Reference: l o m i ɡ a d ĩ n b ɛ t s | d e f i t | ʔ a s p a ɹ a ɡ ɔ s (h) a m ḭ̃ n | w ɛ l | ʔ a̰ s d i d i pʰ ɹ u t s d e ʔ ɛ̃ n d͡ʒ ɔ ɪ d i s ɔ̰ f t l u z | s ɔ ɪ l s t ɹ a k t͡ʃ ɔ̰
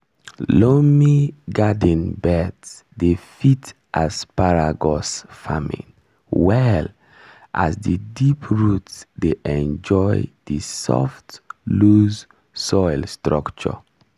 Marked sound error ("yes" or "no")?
yes